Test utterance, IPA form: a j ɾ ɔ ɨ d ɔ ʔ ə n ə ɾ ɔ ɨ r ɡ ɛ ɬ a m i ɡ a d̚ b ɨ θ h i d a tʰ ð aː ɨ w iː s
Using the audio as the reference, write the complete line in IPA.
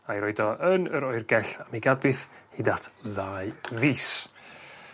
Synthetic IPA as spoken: a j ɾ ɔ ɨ d ɔ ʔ ə n ə ɾ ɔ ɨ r ɡ ɛ ɬ a m i ɡ a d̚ b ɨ θ h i d a tʰ ð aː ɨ v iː s

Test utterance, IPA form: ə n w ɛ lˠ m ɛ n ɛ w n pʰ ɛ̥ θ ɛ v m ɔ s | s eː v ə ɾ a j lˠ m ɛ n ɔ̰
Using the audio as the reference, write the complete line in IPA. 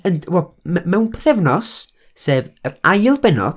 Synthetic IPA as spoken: ə n w ɛ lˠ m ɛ m ɛ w n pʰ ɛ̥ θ ɛ v n ɔ s | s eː v ə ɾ a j lˠ b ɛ n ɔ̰

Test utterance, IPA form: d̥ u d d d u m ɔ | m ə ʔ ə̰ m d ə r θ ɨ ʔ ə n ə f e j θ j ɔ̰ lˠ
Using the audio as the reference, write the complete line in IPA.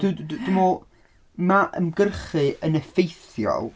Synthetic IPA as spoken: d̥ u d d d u m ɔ | m a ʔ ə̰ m ɡ ə r χ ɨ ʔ ə n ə f e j θ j ɔ̰ lˠ

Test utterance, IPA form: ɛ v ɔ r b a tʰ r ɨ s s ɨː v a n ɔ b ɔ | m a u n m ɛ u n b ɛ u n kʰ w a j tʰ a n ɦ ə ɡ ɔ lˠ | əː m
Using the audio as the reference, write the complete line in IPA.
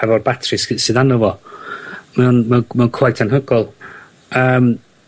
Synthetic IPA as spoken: ɛ v ɔ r b a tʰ r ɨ s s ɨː ð a n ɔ v ɔ | m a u n m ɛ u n m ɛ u n kʰ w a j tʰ a n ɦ ə ɡ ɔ lˠ | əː m

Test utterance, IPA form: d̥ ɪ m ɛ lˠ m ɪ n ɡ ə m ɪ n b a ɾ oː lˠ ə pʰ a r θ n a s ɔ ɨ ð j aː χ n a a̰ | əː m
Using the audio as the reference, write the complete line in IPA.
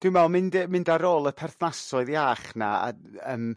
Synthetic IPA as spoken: d̥ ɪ m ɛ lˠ m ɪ n d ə m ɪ n d a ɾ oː lˠ ə pʰ ɛ r θ n a s ɔ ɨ ð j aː χ n a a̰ | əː m

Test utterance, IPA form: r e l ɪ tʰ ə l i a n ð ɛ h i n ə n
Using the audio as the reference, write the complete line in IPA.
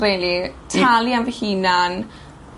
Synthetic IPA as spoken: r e l i tʰ a l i a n v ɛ h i n a n

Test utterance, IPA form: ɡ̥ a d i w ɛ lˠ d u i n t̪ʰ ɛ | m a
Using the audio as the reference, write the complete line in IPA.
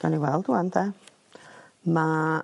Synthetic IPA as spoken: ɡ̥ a n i w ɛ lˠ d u a n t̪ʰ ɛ | m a

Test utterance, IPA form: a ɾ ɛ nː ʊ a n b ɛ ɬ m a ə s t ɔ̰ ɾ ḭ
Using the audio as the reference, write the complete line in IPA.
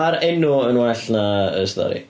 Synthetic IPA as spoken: a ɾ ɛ n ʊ ə n w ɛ ɬ n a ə s t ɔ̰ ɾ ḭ

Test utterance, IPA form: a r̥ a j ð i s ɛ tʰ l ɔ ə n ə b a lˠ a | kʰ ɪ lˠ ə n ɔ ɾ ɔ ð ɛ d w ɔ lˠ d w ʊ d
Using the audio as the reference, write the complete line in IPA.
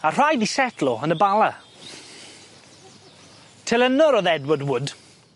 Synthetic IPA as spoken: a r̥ a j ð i s ɛ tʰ l ɔ ə n ə b a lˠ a | tʰ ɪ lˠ ə n ɔ ɾ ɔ ð ɛ d w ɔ d w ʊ d

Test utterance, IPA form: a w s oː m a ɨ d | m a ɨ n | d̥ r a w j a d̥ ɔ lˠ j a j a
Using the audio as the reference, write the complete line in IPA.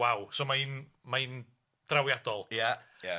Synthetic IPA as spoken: a w s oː m a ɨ n | m a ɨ n | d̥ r a w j a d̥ ɔ lˠ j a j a

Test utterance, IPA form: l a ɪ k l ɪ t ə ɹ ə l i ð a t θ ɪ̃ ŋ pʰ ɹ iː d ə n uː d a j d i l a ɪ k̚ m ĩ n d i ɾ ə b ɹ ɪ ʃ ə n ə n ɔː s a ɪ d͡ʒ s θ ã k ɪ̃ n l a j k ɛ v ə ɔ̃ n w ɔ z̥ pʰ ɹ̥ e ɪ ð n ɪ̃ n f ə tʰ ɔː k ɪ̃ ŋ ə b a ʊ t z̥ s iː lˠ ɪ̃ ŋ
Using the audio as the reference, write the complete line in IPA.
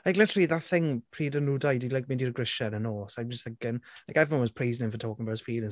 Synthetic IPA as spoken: l a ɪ k l ɪ t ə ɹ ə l i ð a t θ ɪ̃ ŋ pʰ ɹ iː d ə n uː d a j d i l a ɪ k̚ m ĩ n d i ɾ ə ɡ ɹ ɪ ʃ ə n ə n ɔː s a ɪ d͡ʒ s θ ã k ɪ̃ n l a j k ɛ v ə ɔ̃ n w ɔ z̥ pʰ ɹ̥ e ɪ z n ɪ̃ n f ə tʰ ɔː k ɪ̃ ŋ ə b a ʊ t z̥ f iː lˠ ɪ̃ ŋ

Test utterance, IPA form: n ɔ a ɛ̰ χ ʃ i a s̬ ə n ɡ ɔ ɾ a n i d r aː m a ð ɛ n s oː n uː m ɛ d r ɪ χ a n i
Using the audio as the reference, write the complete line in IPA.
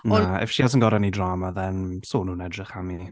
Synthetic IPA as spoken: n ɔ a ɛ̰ f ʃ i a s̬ ə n ɡ ɔ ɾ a n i d r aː m a ð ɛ n s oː n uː n ɛ d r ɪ χ a m i

